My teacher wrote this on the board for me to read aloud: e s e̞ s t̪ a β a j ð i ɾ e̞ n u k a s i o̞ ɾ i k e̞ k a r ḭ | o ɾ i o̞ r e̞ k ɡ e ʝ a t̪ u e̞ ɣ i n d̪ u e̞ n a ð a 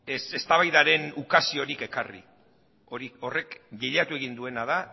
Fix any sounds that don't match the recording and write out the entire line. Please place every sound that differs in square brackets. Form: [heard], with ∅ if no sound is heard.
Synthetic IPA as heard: e s e̞ s t̪ a β a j ð [a] ɾ e̞ n u k a s i o̞ ɾ i k e̞ k a r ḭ | o ɾ i o̞ r e̞ k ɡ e [ʎ] a t̪ u e̞ ɣ i n d̪ u e̞ n a ð a